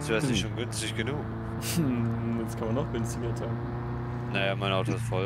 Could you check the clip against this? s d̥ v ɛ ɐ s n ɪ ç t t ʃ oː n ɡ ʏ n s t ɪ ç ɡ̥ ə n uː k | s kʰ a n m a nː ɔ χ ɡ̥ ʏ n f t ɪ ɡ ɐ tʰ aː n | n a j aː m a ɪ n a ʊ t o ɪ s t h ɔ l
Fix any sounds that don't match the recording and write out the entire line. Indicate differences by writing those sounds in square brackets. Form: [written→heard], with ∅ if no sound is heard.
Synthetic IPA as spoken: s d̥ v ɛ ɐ s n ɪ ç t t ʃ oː n ɡ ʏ n s t ɪ ç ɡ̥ ə n uː k | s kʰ a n m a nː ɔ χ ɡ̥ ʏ n [f→s] t ɪ ɡ ɐ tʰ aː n | n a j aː m a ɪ n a ʊ t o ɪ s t [h→f] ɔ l